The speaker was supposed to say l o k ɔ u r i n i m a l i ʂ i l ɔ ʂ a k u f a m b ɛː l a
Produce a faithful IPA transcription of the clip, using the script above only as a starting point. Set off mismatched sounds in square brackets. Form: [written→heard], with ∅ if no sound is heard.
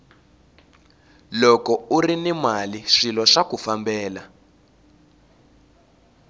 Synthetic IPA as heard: l [o→ɔ] k ɔ u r i n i m a l i ʂ i l ɔ ʂ a k u f a m b ɛː l a